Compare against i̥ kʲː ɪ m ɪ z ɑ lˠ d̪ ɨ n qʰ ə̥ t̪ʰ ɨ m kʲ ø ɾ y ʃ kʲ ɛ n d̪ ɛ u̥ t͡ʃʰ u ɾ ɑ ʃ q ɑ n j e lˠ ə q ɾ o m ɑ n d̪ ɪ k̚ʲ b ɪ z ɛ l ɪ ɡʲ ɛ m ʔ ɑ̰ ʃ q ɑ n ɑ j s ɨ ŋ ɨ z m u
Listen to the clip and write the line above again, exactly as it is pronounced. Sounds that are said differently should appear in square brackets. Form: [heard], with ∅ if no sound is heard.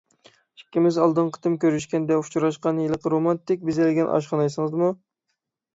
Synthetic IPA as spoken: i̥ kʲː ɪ m ɪ z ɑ lˠ d̪ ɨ n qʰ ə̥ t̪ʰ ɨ m kʲ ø ɾ y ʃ kʲ ɛ n d̪ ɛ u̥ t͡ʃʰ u ɾ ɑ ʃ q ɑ n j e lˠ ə q ɾ o m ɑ n [t̪] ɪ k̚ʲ b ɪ z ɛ l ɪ ɡʲ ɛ [n] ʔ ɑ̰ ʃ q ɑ n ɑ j s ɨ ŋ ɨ z m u